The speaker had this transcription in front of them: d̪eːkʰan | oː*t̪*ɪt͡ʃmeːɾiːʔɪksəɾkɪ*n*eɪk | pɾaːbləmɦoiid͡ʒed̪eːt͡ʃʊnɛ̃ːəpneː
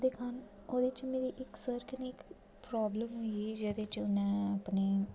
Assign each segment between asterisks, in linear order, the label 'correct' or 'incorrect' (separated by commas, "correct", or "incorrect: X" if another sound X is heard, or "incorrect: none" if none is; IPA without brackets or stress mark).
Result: incorrect: d̪, correct